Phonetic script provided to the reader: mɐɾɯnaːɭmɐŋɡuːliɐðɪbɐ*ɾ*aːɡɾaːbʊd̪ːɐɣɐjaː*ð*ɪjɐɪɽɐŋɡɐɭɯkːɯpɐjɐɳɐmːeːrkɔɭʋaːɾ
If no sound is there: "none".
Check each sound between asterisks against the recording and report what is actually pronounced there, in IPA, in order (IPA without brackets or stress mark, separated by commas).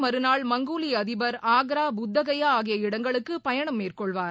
ɾ, ɣ